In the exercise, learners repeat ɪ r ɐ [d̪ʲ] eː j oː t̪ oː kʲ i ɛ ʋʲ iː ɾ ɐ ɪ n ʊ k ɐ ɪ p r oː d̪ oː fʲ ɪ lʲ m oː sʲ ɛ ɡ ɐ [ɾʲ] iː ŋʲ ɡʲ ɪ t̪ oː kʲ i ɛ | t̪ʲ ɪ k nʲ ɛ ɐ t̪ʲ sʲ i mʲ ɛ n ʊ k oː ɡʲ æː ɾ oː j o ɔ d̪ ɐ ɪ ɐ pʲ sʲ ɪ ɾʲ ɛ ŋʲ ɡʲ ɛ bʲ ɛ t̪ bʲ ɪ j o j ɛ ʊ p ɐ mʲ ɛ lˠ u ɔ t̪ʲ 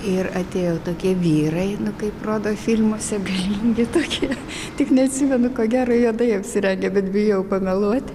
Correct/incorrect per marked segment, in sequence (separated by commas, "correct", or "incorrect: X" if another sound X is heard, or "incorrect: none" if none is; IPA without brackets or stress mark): incorrect: t̪ʲ, incorrect: lʲ